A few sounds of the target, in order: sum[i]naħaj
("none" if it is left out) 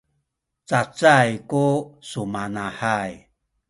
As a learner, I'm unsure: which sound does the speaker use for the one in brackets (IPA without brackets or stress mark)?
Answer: a